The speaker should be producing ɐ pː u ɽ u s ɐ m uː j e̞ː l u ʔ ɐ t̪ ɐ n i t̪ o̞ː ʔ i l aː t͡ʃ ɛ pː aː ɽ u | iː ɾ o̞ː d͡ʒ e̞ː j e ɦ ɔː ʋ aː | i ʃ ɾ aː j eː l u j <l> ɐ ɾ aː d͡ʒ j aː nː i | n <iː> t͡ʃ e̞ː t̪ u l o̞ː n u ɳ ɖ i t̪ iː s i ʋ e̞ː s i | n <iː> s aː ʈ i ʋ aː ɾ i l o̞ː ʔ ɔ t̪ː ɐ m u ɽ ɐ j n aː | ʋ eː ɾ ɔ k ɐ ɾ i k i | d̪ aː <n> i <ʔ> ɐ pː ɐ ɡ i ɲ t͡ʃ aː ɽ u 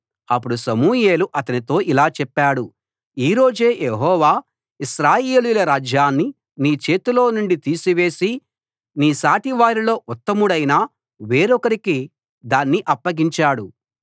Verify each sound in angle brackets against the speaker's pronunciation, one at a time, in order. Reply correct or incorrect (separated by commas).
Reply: correct, correct, correct, incorrect, correct